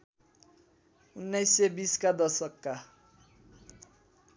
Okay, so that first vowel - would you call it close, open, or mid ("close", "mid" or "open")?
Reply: close